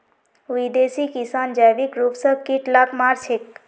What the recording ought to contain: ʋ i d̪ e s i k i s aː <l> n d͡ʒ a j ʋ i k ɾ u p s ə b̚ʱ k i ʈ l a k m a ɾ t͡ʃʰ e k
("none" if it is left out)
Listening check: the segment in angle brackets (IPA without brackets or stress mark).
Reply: none